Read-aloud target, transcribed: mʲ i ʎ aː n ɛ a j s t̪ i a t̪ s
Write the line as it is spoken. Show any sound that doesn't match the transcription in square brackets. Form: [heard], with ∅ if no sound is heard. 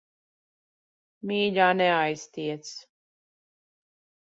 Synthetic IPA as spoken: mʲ [iː] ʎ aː n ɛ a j s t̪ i [ɛ] t̪ s